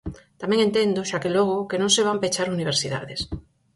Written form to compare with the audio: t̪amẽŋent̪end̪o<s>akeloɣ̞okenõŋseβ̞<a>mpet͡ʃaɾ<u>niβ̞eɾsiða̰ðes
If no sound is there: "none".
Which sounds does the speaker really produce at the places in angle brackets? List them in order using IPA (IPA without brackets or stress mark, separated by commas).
ʃ, a, u